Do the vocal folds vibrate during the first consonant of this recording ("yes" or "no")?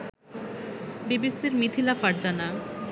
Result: yes